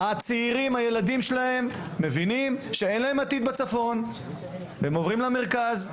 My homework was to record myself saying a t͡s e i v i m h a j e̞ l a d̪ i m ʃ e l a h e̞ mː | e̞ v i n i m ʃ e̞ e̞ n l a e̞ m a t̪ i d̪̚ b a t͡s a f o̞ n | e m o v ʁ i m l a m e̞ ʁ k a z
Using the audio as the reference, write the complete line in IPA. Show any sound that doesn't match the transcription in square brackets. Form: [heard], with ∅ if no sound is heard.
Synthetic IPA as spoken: a t͡s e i [ʁ] i m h a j e̞ l a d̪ i m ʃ e l a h e̞ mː | e̞ v i n i m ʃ e̞ e̞ n l a e̞ m a t̪ i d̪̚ b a t͡s a f o̞ n | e m o v ʁ i m l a m e̞ ʁ k a z